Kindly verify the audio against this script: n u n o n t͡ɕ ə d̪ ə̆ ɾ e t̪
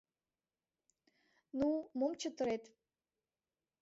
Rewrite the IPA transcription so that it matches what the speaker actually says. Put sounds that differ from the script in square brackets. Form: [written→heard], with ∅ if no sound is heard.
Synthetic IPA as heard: n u [n→m] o [n→m] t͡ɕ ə [d̪→t̪] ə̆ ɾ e t̪

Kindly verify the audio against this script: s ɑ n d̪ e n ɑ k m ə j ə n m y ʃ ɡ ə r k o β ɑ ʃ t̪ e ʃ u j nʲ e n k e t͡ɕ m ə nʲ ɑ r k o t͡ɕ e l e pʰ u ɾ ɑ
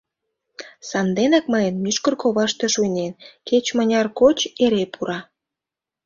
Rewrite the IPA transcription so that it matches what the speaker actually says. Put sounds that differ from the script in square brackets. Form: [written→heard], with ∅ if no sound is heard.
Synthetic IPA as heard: s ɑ n d̪ e n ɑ k m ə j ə n m y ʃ [ɡ→k] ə r k o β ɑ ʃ t̪ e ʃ u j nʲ e n k e t͡ɕ m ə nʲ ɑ r k o t͡ɕ e [l→ɾ] e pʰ u ɾ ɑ

